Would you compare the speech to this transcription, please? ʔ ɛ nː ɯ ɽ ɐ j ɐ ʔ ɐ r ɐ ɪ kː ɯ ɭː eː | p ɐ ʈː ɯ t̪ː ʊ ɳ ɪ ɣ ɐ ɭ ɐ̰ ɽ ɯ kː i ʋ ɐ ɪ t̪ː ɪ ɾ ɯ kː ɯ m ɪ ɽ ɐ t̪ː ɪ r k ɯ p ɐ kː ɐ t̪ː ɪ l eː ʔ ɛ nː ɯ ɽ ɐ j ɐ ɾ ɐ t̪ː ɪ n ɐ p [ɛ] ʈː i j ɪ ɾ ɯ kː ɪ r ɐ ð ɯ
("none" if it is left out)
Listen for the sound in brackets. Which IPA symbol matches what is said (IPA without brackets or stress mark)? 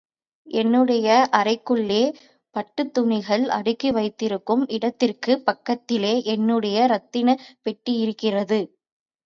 ɛ